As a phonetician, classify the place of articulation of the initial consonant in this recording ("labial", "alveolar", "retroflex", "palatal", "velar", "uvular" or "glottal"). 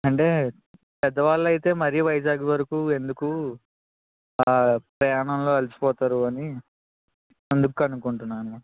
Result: retroflex